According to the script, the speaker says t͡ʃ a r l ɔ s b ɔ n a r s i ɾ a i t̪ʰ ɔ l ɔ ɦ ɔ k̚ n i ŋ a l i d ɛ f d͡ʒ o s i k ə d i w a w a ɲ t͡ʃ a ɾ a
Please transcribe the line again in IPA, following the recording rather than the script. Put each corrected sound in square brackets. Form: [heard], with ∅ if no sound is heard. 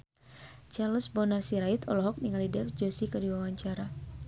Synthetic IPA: t͡ʃ a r l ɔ s b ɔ n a r s i ɾ a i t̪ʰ ɔ l ɔ ɦ ɔ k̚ n i ŋ a l i d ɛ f d͡ʒ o s i k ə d i w a w a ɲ t͡ʃ a ɾ a